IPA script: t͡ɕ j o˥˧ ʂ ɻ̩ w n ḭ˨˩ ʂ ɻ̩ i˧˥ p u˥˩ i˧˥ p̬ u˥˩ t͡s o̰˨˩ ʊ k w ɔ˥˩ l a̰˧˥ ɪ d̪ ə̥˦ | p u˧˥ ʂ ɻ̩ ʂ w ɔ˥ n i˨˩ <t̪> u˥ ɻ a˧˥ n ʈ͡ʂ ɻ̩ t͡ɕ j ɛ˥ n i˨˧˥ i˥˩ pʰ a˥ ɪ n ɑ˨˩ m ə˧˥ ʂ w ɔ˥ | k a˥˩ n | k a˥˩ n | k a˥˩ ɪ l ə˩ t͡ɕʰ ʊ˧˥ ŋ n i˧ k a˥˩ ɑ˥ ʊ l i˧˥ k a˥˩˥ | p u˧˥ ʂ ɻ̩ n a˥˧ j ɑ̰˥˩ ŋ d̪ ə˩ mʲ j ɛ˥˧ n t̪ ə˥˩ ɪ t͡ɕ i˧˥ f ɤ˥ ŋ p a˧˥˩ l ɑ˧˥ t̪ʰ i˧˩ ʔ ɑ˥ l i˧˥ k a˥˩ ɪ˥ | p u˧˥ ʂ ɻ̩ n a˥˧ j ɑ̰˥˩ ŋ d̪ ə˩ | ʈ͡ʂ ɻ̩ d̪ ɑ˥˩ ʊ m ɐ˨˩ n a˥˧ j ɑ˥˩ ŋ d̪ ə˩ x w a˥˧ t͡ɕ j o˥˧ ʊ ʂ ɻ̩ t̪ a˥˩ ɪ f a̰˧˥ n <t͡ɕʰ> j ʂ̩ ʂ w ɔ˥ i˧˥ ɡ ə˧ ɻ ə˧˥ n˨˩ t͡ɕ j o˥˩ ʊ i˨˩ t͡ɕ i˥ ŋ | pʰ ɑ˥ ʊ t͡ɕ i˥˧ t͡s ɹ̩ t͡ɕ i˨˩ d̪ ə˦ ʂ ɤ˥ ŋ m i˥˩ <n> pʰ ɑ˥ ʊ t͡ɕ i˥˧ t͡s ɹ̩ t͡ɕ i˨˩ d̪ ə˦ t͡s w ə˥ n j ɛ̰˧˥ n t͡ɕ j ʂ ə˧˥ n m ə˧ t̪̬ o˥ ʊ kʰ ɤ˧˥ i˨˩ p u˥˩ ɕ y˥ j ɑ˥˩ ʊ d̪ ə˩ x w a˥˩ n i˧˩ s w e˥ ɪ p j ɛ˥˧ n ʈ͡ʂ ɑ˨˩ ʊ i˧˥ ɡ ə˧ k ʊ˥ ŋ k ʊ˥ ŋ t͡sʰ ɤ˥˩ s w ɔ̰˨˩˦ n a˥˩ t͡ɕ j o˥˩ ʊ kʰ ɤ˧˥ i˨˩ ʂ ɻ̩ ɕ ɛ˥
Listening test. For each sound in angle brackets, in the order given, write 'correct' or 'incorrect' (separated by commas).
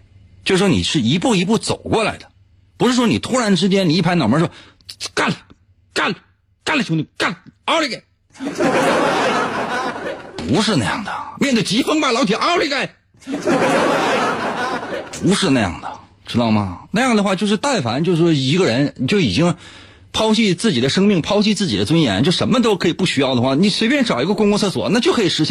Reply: incorrect, incorrect, incorrect